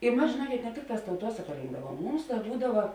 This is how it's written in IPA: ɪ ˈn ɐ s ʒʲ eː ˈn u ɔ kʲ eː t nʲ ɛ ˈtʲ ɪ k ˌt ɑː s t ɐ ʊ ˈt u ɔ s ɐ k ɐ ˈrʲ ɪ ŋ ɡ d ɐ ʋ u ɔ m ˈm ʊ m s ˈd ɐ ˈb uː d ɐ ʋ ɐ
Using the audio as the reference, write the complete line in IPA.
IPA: ɪ ˈm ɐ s ʒʲ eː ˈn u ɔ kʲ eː t nʲ ɛ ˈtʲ ɪ k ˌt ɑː s t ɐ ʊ ˈt u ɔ s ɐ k ɐ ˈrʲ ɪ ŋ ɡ d ɐ ʋ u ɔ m ˈm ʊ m s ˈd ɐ ˈb uː d ɐ ʋ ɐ